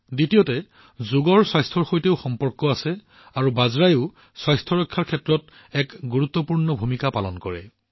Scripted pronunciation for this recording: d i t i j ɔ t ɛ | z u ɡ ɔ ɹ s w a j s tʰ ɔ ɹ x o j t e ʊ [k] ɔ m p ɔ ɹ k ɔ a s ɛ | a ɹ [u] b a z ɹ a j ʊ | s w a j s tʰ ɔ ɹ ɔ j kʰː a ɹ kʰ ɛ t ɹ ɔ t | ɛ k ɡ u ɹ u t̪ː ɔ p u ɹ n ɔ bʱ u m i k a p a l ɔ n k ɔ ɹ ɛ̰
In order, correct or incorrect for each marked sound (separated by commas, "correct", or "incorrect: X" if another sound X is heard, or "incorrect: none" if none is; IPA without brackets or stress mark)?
incorrect: x, correct